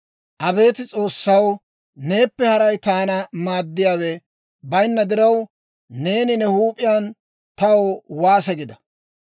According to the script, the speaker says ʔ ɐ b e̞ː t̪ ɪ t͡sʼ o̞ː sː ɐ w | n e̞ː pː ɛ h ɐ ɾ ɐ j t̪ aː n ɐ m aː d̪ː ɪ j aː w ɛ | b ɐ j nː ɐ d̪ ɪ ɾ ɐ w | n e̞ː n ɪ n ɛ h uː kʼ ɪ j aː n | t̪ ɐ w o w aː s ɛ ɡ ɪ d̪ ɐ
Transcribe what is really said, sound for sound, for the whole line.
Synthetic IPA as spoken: ʔ ɐ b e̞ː t̪ ɪ t͡sʼ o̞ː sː ɐ w | n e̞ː pː ɛ h ɐ ɾ ɐ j t̪ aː n ɐ m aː d̪ː ɪ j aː w ɛ | b ɐ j nː ɐ d̪ ɪ ɾ ɐ w | n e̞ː n ɪ n ɛ h uː pʼ ɪ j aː n | t̪ ɐ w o w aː s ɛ ɡ ɪ d̪ ɐ